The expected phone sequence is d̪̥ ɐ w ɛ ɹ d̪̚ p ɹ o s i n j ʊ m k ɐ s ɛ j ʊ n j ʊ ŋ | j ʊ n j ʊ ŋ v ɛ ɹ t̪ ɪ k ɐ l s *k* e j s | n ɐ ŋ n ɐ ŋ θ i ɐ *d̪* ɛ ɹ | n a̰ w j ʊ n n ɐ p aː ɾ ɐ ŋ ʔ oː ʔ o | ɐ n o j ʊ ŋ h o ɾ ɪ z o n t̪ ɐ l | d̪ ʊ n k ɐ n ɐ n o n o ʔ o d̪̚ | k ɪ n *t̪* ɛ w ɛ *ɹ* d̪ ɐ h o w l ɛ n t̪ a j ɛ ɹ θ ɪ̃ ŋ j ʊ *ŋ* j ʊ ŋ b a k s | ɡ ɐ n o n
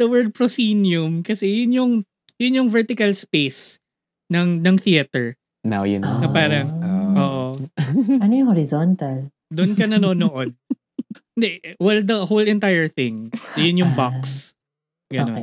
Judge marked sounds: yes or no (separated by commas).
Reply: no, no, no, no, no